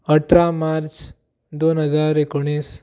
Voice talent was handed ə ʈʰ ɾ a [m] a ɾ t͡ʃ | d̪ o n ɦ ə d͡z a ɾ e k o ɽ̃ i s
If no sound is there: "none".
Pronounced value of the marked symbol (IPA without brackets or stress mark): m